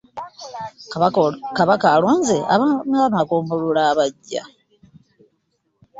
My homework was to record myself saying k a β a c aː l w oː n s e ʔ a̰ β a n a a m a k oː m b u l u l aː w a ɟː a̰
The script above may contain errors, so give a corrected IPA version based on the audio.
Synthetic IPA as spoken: k a β a k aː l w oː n z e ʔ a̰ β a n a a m a k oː m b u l u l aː β a ɟː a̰